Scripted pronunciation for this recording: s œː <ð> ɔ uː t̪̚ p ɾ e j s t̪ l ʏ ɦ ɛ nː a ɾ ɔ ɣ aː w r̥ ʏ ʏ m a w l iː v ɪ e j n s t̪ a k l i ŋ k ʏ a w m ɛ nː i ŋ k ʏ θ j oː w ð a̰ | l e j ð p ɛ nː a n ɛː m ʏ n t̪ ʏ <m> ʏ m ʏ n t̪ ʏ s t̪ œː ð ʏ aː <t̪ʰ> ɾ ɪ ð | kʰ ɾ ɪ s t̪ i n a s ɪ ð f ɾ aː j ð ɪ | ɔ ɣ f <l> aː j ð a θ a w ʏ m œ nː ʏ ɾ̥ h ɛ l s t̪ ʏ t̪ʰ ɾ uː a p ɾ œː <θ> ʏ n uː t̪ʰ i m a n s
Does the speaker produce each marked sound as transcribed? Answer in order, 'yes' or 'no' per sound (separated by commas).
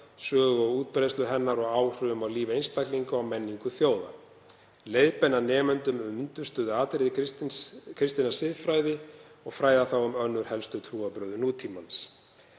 no, yes, no, no, no